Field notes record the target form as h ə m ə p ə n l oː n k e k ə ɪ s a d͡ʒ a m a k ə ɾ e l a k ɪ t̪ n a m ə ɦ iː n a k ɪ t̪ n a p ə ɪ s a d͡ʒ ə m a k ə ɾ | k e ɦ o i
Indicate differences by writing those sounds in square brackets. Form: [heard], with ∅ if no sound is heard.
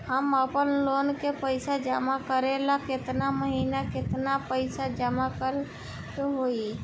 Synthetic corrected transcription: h ə m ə p ə n l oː n k e [p] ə ɪ s a d͡ʒ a m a k ə ɾ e l a k ɪ t̪ n a m ə ɦ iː n a k ɪ t̪ n a p ə ɪ s a d͡ʒ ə m a k ə ɾ | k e ɦ o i